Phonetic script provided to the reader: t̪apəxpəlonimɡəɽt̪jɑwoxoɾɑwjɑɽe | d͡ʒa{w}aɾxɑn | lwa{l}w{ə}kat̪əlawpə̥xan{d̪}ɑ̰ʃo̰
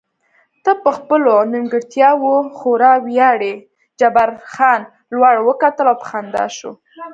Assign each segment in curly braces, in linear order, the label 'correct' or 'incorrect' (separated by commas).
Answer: incorrect, incorrect, correct, correct